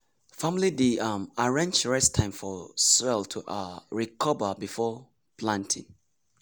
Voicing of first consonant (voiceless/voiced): voiceless